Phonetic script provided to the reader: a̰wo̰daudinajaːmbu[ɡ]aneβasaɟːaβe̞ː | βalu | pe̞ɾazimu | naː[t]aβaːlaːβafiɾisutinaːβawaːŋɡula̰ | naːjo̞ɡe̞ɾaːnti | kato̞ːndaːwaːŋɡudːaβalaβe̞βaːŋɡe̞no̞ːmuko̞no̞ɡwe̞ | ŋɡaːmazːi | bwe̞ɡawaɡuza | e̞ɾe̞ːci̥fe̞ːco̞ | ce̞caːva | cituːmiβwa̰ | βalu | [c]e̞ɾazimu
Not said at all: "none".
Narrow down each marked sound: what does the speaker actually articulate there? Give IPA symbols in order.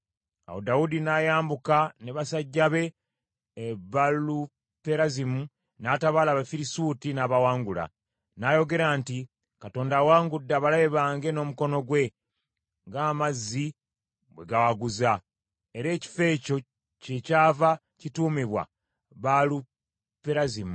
k, t, p

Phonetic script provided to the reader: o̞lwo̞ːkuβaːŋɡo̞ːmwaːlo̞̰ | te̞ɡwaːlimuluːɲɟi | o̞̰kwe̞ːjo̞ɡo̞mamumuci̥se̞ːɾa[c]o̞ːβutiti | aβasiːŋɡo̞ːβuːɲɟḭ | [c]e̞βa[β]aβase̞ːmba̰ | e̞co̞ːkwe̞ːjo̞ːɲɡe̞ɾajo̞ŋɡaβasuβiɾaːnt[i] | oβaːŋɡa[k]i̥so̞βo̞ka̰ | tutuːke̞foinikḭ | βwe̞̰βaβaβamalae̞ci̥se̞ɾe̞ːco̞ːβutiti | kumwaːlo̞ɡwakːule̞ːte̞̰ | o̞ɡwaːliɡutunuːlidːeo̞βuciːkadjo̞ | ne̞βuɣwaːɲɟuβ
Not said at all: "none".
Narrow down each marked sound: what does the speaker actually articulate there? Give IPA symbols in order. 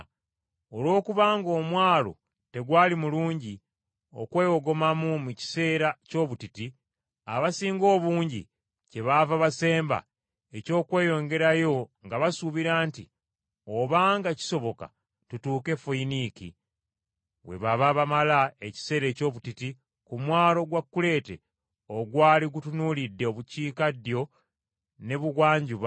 c, c, v, i, c

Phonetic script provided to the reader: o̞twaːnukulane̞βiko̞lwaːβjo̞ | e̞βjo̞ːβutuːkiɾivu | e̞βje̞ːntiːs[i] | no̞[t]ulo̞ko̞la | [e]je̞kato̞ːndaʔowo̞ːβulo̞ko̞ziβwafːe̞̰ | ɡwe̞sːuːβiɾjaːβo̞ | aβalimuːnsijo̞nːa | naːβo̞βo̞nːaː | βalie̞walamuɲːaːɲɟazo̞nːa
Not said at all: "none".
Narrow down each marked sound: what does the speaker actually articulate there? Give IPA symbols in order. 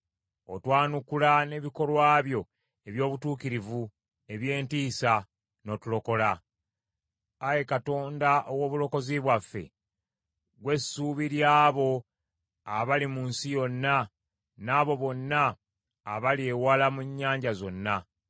a, t, a

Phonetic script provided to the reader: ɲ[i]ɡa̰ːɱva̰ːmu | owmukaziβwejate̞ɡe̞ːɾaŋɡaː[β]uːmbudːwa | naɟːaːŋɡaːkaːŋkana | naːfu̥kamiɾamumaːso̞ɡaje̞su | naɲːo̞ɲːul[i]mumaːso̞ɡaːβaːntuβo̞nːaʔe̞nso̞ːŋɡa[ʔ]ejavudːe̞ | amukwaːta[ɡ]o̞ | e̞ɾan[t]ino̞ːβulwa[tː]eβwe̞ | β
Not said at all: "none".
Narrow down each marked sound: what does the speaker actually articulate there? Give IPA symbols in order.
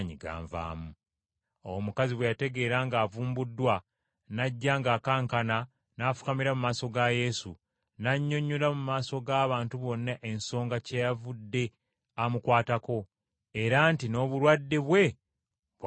i, v, a, c, k, t, dː

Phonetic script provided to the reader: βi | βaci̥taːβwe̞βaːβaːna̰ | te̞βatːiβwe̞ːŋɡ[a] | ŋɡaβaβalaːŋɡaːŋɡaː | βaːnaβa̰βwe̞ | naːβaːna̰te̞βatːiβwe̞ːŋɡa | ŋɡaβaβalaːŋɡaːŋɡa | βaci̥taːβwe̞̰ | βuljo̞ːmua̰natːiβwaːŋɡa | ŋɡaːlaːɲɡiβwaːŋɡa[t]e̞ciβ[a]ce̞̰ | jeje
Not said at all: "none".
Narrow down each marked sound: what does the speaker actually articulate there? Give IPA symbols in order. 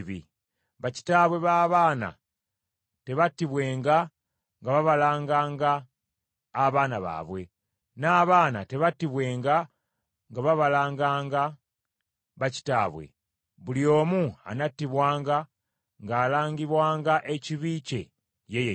a, ʔ, i

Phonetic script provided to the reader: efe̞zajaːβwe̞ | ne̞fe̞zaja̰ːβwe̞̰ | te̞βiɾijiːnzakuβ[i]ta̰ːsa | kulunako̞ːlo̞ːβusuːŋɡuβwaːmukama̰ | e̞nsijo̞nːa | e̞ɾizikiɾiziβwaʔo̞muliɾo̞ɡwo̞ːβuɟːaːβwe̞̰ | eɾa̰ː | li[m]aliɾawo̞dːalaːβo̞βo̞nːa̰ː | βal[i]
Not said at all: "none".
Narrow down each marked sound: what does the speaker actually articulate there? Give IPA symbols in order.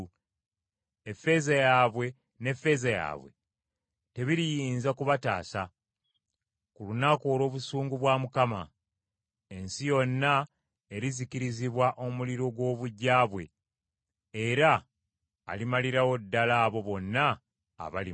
a, m, i

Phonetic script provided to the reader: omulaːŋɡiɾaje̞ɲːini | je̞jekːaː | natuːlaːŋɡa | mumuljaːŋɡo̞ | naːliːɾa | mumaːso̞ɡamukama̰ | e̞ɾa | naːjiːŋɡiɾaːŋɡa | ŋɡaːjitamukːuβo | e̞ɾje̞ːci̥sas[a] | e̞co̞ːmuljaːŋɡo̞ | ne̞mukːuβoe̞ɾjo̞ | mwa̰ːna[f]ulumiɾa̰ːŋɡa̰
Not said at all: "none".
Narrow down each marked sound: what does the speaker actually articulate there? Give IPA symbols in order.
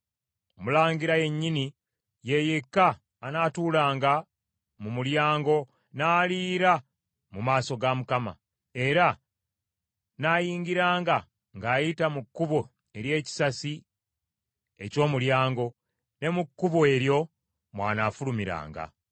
i, f

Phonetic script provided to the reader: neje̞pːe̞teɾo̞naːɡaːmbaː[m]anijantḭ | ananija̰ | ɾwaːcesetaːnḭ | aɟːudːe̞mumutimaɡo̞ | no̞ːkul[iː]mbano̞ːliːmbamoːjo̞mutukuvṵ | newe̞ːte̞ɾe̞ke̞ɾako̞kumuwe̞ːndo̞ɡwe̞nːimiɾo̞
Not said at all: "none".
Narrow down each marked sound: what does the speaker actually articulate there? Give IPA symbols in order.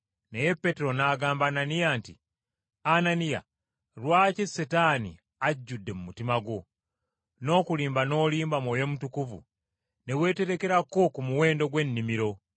n, iː

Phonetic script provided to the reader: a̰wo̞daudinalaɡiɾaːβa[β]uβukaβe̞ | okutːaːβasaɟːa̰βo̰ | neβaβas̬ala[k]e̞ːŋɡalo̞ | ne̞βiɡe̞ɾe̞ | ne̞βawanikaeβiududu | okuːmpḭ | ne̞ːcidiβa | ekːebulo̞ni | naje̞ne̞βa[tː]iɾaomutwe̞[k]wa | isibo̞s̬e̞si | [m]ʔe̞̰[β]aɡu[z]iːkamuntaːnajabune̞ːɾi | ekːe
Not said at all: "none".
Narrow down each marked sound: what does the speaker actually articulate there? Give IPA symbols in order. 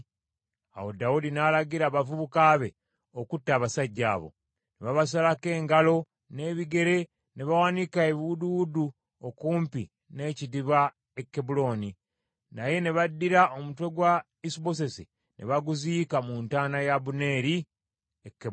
v, k, dː, ɡ, n, β, z

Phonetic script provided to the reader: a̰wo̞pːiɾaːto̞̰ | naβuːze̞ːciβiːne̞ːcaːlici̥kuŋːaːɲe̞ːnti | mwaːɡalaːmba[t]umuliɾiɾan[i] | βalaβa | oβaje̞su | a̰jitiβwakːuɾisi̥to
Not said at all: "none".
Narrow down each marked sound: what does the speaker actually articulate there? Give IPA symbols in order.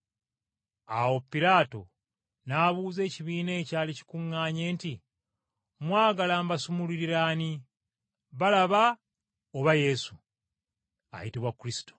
s, i

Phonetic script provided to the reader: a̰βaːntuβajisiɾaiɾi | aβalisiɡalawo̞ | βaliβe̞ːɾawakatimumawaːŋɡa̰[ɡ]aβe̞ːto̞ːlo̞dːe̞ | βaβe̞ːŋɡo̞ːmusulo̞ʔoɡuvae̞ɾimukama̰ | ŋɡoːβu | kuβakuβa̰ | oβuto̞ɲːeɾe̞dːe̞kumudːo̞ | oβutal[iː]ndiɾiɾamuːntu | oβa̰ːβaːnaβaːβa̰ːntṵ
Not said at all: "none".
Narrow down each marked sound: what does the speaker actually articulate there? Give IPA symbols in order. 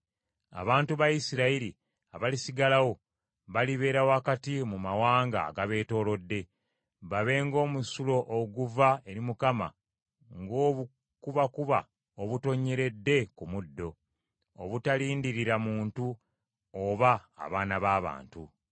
ɡ, iː

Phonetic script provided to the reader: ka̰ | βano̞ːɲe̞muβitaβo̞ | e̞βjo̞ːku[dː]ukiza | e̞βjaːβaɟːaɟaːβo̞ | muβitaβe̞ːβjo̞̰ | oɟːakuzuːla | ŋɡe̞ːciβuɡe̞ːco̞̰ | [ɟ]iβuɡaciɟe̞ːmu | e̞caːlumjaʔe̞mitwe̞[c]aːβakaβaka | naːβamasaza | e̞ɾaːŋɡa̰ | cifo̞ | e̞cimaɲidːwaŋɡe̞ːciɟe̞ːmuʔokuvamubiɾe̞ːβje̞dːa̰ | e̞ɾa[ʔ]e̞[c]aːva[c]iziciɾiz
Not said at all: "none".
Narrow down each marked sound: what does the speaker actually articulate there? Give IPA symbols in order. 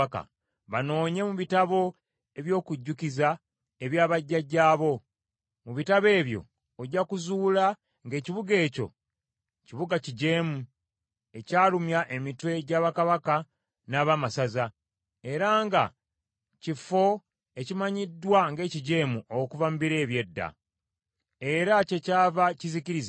ɟː, c, ɟ, c, c, c

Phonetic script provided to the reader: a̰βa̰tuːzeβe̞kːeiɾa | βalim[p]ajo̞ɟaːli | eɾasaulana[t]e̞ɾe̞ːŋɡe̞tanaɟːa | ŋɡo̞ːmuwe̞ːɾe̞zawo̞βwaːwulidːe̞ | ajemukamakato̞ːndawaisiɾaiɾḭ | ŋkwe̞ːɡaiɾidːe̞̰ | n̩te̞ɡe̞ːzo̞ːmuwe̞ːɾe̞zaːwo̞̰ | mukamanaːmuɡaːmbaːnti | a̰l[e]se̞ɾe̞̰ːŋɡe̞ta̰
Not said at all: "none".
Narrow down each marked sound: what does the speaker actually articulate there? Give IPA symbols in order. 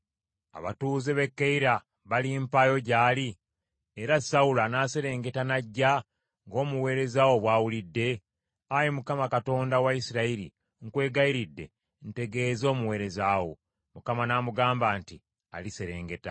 p, s, i

